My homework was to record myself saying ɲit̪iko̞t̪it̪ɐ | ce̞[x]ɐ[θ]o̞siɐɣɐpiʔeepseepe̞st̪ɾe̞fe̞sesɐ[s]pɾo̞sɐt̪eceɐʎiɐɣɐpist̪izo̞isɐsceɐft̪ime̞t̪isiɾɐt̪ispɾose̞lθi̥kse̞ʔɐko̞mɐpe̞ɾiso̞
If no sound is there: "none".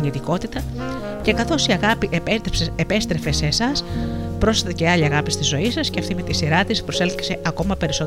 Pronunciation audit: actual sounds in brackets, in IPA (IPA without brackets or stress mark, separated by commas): k, θ, s